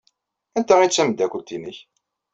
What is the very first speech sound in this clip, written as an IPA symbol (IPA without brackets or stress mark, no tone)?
æ